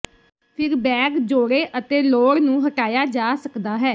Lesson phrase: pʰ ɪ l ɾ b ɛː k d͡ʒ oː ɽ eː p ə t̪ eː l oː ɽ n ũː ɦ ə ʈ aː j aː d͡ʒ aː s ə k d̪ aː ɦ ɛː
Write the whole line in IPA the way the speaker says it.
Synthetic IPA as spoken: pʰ ɪ ɾ b ɛː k d͡ʒ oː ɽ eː ʔ ə t̪ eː l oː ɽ n ũː ɦ ə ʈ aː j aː d͡ʒ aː s ə k d̪ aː ɦ ɛː